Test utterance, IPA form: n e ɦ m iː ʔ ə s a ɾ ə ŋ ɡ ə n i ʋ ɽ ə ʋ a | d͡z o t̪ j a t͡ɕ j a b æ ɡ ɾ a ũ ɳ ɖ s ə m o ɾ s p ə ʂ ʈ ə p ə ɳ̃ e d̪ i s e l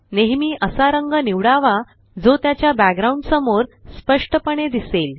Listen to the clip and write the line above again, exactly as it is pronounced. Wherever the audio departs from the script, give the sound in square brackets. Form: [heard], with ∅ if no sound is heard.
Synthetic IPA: n e ɦ m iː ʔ ə s a ɾ ə ŋ ɡ ə n i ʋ ɽ [a] ʋ a | d͡z o t̪ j a t͡ɕ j a b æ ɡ ɾ a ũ ɳ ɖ s ə m o ɾ s p ə ʂ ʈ ə p ə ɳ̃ e d̪ i s e l